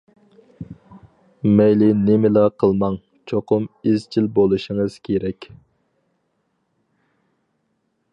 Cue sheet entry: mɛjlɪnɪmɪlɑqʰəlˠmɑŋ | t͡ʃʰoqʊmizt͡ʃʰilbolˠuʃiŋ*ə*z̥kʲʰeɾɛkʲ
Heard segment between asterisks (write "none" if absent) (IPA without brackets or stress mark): ə